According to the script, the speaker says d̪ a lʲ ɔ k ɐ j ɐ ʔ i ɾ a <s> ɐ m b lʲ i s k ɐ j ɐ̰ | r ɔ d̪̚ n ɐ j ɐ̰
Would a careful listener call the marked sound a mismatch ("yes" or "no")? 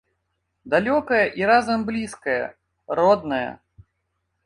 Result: yes